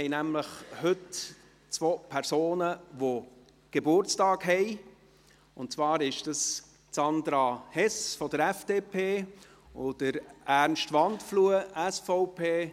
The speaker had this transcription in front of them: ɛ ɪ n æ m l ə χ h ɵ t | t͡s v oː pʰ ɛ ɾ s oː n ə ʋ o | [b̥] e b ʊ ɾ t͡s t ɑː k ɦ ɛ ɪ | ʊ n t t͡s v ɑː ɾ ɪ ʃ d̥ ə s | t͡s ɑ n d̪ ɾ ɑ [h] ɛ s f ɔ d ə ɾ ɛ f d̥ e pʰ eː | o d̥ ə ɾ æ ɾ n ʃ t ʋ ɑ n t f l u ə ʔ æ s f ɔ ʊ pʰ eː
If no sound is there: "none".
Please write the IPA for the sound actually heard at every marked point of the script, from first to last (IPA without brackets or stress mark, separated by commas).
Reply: ɡ̥, h